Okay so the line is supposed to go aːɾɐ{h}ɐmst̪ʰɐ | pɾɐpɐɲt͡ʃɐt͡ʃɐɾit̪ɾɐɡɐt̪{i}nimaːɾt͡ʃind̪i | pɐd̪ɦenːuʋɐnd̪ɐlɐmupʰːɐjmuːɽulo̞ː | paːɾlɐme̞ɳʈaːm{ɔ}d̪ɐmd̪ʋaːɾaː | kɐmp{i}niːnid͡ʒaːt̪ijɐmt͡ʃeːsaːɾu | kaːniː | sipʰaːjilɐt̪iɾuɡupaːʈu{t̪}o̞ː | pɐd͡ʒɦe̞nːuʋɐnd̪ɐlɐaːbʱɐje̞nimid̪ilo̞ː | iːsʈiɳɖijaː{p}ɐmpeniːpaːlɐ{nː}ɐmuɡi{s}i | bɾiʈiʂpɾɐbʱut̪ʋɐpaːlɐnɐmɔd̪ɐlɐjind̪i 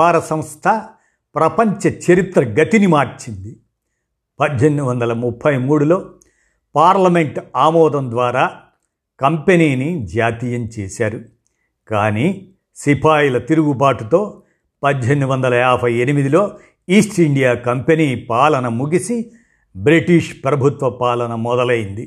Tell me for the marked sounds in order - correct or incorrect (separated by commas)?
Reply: incorrect, correct, incorrect, incorrect, correct, incorrect, incorrect, correct